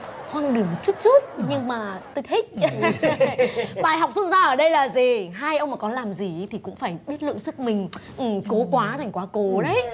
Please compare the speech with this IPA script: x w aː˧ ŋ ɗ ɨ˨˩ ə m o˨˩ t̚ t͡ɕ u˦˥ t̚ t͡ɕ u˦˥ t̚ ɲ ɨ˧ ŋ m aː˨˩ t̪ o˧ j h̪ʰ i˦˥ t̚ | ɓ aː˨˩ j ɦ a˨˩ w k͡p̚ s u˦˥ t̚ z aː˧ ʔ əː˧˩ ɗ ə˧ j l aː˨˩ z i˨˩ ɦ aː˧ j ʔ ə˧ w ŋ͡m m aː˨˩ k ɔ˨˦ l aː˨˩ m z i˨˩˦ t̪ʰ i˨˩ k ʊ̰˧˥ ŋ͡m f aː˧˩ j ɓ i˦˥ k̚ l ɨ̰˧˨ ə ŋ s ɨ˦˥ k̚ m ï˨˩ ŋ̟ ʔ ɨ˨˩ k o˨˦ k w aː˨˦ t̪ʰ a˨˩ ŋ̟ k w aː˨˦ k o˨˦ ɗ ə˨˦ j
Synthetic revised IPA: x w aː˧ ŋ ɗ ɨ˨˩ ə m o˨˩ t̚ t͡ɕ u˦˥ t̚ t͡ɕ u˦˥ t̚ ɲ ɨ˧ ŋ m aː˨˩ t̪ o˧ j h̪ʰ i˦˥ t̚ | ɓ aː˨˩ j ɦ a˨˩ w k͡p̚ s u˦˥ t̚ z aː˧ ʔ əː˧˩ ɗ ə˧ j l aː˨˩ z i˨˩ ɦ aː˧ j ʔ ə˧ w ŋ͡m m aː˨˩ k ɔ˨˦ l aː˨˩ m z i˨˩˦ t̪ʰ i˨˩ k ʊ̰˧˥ ŋ͡m f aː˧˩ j ɓ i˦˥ t̚ l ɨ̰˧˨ ə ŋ s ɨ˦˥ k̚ m ï˨˩ ŋ̟ ʔ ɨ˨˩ k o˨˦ k w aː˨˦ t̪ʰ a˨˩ ŋ̟ k w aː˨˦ k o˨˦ ɗ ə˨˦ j